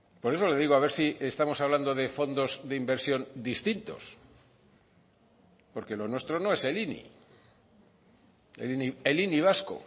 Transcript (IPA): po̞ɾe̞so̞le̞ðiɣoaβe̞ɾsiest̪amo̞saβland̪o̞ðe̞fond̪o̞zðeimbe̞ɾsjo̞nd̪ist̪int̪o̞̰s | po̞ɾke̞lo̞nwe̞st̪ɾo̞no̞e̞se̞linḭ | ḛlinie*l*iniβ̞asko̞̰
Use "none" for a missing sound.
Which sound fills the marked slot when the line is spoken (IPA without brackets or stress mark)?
l